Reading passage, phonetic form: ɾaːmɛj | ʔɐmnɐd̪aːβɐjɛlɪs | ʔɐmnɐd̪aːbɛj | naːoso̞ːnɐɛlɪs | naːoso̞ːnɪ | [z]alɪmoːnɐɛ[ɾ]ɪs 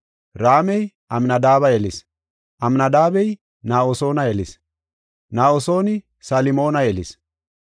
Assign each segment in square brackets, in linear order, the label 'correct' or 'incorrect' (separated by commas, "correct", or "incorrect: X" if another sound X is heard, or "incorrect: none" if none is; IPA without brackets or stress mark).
incorrect: s, incorrect: l